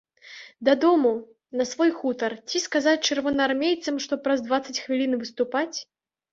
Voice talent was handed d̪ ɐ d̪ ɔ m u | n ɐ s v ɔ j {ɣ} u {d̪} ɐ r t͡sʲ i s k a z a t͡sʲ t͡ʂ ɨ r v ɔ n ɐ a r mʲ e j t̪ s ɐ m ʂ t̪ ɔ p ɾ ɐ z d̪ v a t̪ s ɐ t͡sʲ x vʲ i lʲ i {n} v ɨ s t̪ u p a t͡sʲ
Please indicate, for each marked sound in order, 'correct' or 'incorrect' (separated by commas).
incorrect, incorrect, correct